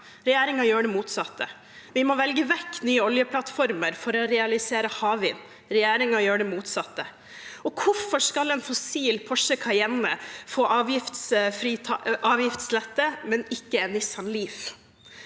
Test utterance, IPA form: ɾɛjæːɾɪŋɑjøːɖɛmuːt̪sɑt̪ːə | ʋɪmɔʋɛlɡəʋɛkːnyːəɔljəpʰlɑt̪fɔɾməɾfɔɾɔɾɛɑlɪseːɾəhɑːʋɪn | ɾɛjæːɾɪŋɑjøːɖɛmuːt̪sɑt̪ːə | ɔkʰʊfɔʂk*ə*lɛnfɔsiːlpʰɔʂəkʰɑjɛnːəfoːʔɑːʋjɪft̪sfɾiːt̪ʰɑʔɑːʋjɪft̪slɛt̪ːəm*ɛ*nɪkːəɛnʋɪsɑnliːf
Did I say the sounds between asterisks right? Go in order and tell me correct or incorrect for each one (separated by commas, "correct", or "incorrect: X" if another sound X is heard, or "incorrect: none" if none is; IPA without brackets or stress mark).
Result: incorrect: ɑ, correct